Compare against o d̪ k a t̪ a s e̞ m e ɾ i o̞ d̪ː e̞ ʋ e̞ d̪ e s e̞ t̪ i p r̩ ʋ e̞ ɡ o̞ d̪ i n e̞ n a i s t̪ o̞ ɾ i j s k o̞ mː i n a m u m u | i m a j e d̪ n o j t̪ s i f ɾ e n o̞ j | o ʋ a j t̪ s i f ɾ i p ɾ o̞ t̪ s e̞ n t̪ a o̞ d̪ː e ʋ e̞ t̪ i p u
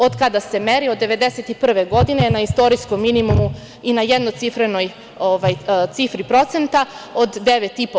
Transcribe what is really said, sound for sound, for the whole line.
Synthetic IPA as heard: o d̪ k a d̪ a s e̞ m e ɾ i o̞ d̪ː e̞ ʋ e̞ d̪ e s e̞ t̪ i p r̩ ʋ e̞ ɡ o̞ d̪ i n e̞ n a i s t̪ o̞ ɾ i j s k o̞ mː i n i m u m u | i n a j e d̪ n o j t̪ s i f ɾ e n o̞ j | o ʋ a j t̪ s i f ɾ i p ɾ o̞ t̪ s e̞ n t̪ a o̞ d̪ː e ʋ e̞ t̪ i p o